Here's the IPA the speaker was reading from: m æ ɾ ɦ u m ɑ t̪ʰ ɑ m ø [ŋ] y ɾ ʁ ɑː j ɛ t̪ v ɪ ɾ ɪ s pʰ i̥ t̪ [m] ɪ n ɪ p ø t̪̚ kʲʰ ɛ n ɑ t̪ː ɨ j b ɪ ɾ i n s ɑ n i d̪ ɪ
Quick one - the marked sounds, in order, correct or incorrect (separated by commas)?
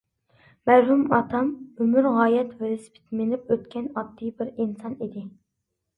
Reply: incorrect, correct